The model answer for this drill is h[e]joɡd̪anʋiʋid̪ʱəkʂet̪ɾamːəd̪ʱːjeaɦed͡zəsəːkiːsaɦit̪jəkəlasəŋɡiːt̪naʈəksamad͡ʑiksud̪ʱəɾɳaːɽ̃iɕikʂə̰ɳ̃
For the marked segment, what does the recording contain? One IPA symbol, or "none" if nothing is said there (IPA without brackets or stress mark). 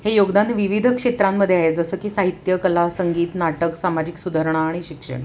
e